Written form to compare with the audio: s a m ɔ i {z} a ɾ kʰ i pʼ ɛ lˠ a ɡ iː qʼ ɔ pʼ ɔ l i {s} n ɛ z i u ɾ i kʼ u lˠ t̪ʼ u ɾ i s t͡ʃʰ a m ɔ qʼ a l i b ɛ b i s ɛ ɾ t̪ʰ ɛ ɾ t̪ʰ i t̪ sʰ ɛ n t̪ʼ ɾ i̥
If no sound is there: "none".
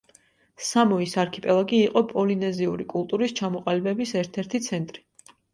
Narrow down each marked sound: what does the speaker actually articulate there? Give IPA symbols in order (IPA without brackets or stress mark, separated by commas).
s, none